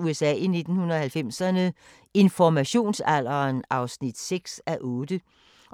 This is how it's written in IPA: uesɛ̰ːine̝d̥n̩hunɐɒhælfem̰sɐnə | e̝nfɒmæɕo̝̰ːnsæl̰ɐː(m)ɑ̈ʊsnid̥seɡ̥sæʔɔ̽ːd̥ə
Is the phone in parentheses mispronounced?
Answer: yes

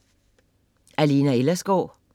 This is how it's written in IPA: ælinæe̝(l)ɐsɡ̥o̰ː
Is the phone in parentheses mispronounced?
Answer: no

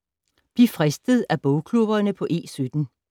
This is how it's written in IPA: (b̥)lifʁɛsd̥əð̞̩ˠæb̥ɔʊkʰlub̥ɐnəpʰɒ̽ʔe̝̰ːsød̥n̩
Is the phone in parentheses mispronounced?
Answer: no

